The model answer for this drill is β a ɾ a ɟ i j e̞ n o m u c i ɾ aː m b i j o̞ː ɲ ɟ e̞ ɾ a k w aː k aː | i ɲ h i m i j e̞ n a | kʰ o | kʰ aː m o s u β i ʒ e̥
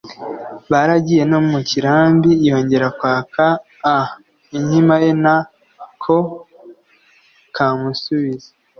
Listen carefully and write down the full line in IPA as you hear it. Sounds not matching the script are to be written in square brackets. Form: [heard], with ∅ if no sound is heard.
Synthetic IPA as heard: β a ɾ a ɟ i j e̞ n o m u c i ɾ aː m b i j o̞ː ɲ ɟ e̞ ɾ a k w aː k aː | i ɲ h i m [a] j e̞ n a | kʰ o | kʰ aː m [u] s u β i [z] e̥